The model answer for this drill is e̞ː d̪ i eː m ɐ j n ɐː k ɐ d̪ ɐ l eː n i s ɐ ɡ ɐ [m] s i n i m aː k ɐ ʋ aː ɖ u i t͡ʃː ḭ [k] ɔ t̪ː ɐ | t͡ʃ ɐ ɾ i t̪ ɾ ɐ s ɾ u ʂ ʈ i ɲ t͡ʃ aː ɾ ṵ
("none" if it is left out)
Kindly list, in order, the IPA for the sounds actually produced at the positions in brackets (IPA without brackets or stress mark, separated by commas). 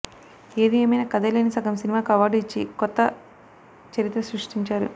m, k